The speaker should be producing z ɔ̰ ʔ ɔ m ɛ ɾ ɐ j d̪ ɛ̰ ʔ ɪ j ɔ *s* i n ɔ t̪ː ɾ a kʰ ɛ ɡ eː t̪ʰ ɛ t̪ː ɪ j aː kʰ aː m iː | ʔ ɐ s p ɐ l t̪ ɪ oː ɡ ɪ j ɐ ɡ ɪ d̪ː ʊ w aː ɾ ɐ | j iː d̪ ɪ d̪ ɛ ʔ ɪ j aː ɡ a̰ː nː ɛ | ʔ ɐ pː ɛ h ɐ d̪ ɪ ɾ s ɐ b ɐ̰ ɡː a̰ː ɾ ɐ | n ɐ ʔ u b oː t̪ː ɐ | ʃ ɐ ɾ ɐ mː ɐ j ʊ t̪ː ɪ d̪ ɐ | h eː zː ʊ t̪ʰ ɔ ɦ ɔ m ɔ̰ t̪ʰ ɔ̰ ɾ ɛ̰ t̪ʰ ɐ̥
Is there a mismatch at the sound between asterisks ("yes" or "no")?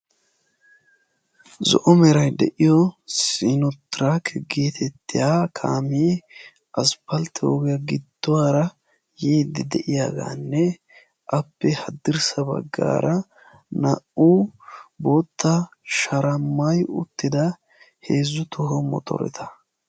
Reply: no